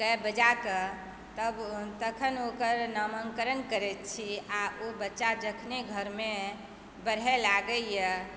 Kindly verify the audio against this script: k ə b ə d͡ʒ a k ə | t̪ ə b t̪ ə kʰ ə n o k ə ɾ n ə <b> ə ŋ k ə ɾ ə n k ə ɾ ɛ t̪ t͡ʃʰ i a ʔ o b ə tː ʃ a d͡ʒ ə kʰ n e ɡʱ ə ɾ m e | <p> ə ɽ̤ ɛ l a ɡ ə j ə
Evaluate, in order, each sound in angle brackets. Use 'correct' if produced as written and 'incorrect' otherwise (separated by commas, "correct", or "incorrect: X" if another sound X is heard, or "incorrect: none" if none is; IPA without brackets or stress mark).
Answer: incorrect: m, incorrect: b